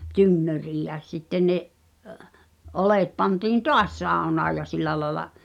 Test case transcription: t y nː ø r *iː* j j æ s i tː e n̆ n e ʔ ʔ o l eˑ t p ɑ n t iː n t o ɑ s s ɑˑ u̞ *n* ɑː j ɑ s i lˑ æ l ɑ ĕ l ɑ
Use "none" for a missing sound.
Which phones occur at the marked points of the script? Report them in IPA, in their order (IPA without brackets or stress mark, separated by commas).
iː, n